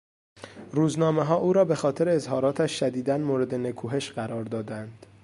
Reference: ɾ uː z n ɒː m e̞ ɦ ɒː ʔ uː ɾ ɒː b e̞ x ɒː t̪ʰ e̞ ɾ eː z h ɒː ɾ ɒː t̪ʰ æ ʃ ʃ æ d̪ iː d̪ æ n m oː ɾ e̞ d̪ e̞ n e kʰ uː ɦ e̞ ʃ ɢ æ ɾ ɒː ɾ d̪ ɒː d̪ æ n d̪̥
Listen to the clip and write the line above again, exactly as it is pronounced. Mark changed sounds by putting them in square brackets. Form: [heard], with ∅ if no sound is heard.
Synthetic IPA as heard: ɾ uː z n ɒː m e̞ ɦ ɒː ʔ uː ɾ ɒː b e̞ x ɒː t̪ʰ e̞ ɾ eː z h ɒː ɾ ɒː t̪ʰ æ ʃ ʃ æ d̪ iː d̪ æ n m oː ɾ e̞ d̪ e̞ n e kʰ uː ɦ e̞ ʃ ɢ æ ɾ ɒː ɾ d̪ ɒː d̪ æ n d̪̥